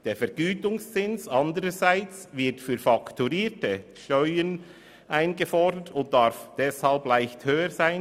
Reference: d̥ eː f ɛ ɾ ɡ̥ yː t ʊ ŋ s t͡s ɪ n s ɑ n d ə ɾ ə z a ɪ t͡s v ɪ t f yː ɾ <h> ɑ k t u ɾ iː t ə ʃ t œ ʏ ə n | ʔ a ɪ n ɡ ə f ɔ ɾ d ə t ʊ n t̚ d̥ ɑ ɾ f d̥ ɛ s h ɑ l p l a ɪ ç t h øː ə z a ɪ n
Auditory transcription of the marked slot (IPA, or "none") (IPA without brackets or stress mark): f